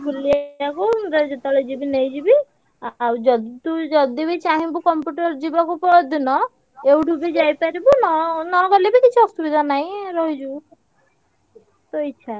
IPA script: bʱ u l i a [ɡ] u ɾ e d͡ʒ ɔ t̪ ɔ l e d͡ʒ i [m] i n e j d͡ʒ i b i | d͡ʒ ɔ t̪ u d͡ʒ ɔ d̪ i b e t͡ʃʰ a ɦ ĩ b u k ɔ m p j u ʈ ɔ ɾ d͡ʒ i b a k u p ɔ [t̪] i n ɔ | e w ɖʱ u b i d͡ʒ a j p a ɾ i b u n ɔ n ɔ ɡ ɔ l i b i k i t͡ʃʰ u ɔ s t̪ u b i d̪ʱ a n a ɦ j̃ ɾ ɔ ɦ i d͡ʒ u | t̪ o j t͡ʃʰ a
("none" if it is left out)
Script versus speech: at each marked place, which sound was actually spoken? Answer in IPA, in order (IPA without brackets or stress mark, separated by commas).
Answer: k, b, d̪